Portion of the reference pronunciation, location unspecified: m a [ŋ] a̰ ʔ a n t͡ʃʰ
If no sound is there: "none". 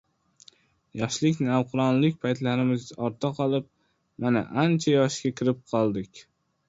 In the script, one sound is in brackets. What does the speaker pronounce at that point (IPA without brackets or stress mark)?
n